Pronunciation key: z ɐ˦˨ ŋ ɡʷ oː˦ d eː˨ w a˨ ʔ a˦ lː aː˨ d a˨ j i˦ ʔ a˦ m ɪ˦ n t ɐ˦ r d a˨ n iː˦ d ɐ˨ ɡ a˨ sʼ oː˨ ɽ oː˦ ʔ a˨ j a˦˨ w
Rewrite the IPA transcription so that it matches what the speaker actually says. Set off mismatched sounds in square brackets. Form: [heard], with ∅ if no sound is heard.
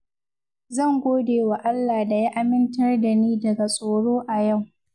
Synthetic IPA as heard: z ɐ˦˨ ŋ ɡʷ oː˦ d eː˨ w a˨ ʔ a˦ lː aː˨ d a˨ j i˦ ʔ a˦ m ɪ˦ n t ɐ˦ r d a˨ n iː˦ d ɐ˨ ɡ a˨ sʼ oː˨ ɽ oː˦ ʔ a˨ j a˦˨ w